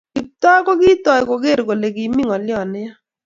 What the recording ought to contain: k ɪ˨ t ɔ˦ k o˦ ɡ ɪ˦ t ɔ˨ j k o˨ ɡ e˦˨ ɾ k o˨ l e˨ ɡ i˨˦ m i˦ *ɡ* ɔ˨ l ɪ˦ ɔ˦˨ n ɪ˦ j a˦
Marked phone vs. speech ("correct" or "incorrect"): incorrect